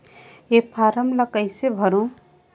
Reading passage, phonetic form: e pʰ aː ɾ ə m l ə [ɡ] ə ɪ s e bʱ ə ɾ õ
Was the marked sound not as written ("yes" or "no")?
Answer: yes